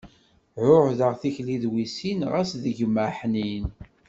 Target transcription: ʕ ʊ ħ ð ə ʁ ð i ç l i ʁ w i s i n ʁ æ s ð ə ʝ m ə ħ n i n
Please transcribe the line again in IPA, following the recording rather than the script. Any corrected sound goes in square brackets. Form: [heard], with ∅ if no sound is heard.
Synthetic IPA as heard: ʕ ʊ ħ ð ə ʁ [θ] i ç l i [ð] w i s i n ʁ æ s ð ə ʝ m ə ħ n i n